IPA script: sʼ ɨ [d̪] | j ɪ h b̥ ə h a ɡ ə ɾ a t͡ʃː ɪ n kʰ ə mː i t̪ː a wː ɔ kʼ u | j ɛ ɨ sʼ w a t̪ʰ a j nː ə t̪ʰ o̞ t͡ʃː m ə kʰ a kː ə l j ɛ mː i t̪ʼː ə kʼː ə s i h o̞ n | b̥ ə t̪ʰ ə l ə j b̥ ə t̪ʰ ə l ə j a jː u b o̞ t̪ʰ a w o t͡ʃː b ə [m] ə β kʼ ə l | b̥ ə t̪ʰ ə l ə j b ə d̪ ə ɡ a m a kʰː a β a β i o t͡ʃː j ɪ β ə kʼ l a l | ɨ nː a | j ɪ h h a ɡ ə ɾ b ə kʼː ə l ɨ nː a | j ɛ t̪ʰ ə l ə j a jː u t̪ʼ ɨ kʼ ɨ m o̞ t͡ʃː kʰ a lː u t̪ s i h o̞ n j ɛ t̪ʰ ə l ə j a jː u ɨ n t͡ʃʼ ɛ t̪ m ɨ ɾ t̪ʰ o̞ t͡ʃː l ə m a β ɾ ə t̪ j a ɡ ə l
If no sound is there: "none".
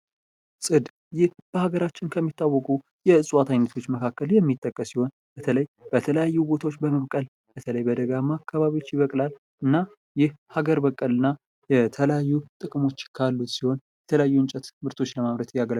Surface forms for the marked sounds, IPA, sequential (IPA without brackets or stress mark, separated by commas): d̪, m